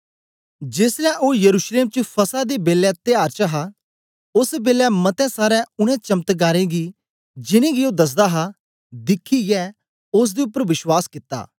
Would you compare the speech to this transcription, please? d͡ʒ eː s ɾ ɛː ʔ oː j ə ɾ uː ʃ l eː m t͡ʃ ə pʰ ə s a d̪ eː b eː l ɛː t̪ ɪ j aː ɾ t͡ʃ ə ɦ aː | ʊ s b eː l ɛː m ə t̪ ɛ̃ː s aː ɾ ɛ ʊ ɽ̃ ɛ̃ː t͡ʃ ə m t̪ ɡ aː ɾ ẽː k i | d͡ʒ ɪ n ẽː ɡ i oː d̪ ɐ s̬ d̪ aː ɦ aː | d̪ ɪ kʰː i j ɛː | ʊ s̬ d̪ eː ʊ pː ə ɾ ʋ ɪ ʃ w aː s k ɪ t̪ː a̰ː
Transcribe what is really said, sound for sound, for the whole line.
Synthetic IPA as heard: d͡ʒ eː s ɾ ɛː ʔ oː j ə ɾ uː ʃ l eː m t͡ʃ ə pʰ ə s a d̪ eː b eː l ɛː t̪ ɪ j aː ɾ t͡ʃ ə ɦ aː | ʊ s b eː l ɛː m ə t̪ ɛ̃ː s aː ɾ ɛ ʊ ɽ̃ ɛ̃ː t͡ʃ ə m t̪ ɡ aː ɾ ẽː ɡ i | d͡ʒ ɪ n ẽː ɡ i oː d̪ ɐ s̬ d̪ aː ɦ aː | d̪ ɪ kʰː i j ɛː | ʊ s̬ d̪ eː ʊ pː ə ɾ ʋ ɪ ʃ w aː s k ɪ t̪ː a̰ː